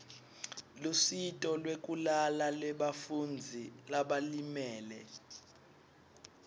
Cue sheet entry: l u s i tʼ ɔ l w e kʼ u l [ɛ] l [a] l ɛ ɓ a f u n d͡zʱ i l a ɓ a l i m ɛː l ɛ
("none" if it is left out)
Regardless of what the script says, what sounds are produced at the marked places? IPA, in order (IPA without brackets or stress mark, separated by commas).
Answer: a, a